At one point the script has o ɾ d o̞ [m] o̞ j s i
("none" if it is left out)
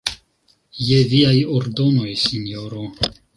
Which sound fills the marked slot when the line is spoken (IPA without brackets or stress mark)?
n